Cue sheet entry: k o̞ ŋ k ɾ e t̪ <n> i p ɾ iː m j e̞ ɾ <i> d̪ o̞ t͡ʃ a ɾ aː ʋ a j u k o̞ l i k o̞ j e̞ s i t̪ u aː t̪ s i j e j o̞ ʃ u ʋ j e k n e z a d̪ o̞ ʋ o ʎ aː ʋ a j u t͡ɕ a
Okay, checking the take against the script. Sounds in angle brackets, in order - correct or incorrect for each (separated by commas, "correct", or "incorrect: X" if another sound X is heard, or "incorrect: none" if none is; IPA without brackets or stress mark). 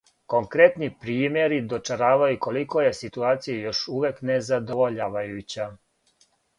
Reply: correct, correct